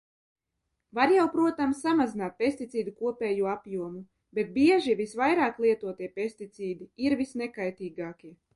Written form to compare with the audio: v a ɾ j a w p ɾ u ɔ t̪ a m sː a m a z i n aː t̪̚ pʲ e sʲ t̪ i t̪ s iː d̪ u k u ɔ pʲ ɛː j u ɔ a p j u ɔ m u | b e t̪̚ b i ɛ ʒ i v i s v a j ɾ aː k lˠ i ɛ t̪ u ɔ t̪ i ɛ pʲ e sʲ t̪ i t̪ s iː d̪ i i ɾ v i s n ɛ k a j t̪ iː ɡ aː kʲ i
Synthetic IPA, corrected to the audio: v a ɾ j a w p ɾ u ɔ t̪ a m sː a m a z i n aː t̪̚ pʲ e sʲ t̪ i t̪ s iː d̪ u k u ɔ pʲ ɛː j u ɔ a p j u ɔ m u | b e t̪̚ b i ɛ ʒ i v i s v a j ɾ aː k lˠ i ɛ t̪ u ɔ t̪ i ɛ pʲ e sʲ t̪ i t̪ s iː d̪ i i ɾ v i s n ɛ k a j t̪ iː ɡ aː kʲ i